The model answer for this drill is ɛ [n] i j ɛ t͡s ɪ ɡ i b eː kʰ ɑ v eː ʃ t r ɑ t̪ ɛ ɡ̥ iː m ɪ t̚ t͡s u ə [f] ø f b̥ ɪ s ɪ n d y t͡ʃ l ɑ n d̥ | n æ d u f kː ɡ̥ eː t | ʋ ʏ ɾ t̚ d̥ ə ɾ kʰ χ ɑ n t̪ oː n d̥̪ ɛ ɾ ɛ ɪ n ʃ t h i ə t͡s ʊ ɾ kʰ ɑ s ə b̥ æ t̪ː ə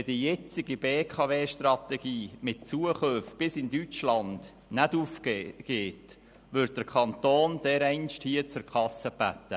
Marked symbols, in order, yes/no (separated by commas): no, no